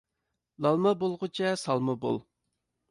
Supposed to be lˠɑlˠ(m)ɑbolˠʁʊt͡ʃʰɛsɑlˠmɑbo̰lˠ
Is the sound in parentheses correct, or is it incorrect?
correct